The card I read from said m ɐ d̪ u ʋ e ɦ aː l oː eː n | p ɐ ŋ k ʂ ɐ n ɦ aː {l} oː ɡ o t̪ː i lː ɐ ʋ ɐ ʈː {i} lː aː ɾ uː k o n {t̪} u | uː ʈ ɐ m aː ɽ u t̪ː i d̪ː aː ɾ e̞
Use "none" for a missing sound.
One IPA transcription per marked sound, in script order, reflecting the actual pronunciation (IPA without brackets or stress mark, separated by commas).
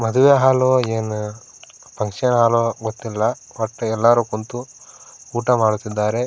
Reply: l, ɛ, t̪